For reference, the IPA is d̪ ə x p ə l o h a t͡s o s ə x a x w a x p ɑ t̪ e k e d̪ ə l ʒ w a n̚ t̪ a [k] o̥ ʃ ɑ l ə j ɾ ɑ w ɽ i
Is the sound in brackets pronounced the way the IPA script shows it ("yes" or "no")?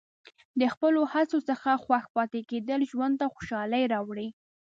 no